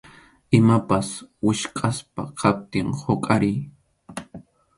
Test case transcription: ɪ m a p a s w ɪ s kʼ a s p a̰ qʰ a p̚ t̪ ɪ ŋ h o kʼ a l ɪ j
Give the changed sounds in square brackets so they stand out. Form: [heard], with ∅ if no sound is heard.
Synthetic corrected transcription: ɪ m a p a s w ɪ [ʃ] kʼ a s p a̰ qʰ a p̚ t̪ ɪ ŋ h o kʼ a [ɾ] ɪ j